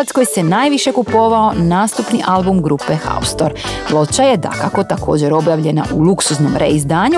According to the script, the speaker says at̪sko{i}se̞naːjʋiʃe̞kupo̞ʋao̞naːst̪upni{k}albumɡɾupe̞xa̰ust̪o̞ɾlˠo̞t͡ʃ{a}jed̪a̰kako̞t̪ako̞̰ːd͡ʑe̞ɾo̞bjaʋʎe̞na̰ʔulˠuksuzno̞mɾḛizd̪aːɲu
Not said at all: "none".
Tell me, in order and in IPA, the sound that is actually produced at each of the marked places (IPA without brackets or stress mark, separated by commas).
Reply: j, ʔ, a